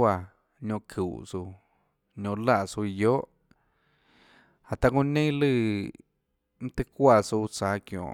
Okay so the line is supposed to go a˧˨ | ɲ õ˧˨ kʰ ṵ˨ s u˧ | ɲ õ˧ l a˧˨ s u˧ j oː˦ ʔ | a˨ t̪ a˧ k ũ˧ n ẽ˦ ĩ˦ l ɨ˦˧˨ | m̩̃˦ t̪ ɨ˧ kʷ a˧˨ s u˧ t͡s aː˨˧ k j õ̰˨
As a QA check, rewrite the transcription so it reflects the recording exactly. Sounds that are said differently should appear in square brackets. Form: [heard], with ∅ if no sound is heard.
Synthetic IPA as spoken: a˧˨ | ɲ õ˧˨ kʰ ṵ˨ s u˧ | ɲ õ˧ l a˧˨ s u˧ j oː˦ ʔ | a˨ t̪ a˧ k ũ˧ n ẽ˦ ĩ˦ l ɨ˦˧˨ | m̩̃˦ t̪ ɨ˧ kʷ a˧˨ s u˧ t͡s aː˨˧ k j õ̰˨